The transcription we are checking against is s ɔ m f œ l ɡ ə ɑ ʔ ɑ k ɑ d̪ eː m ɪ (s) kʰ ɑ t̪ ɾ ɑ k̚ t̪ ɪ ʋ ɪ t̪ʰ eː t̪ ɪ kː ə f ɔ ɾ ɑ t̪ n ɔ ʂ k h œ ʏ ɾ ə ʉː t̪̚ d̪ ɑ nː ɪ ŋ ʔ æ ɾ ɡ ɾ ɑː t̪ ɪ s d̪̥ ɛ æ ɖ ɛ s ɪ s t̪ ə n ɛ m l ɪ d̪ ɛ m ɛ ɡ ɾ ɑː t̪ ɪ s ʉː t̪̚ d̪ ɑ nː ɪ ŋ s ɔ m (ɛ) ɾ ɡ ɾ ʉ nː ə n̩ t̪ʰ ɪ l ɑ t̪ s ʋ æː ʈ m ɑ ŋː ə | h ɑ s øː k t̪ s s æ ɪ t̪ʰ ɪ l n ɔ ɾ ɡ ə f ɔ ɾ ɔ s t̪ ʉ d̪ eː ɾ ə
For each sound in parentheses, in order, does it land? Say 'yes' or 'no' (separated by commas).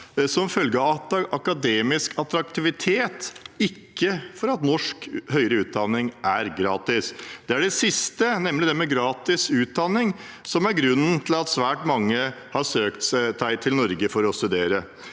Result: yes, no